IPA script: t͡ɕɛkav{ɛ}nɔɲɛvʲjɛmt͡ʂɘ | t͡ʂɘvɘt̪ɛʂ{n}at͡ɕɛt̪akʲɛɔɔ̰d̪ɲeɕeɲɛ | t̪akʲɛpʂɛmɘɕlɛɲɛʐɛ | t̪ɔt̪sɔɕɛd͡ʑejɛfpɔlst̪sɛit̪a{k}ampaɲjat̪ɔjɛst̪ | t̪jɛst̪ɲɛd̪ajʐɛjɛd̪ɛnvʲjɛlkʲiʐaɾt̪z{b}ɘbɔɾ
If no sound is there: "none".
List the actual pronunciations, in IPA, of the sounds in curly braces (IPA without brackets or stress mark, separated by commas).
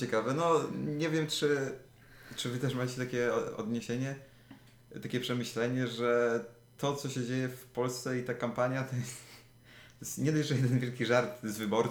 ɛ, m, k, v